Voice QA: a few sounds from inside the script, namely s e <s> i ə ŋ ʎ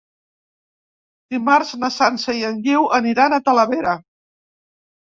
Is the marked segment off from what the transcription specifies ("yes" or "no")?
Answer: yes